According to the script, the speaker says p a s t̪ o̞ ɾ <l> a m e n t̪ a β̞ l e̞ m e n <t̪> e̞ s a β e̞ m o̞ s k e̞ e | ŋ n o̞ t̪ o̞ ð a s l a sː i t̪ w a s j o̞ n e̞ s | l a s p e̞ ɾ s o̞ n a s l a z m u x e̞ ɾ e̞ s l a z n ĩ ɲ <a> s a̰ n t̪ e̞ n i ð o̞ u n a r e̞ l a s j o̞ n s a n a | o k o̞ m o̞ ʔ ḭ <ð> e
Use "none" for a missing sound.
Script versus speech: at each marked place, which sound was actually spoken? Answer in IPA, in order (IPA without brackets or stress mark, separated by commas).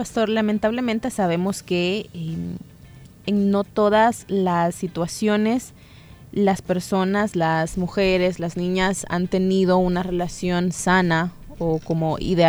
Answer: l, t̪, a, ð